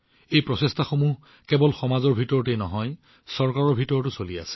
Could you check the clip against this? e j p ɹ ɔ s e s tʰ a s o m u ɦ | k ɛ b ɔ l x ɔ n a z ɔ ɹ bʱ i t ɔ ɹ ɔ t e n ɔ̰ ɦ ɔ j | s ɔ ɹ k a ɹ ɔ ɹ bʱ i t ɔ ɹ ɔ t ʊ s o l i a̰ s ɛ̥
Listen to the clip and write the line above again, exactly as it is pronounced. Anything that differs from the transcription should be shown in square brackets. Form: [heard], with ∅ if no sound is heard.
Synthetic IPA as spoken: e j p ɹ ɔ s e s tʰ a [x] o m u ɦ | k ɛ b ɔ l x ɔ [m] a z ɔ ɹ bʱ i t ɔ ɹ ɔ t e n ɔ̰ ɦ ɔ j | s ɔ ɹ k a ɹ ɔ ɹ bʱ i t ɔ ɹ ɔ t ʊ s o l i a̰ s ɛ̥